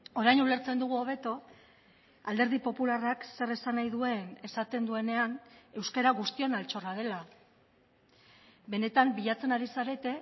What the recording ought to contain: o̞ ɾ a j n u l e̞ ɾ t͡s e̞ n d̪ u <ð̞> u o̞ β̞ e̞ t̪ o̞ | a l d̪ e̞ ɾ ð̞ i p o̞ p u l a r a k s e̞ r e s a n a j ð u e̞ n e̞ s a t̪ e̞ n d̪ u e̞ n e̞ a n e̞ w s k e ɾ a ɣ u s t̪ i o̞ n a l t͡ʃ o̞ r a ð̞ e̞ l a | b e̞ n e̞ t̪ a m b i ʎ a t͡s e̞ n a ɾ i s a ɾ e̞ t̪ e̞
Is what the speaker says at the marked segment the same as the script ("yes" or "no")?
no